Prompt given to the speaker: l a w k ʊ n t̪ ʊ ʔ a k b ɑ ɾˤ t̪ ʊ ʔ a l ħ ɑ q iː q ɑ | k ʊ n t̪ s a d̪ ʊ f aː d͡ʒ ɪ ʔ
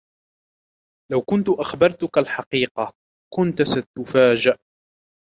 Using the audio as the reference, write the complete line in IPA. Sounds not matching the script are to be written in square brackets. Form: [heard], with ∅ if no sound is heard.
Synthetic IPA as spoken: l a w k ʊ n t̪ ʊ ʔ a [x] b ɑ ɾˤ t̪ ʊ [k] a l ħ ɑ q iː q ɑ | k ʊ n t̪ s a [t̪] ʊ f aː d͡ʒ ɪ ʔ